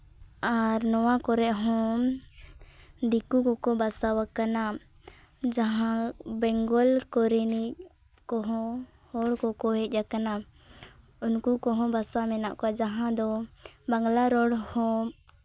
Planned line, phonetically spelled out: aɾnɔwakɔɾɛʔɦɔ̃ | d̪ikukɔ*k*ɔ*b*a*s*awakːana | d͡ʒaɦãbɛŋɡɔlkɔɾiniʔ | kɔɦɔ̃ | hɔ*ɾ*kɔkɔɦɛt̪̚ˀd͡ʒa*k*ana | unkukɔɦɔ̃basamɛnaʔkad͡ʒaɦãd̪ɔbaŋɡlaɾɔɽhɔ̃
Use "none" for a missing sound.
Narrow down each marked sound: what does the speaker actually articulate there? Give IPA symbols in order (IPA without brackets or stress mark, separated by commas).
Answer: k, b, s, ɽ, k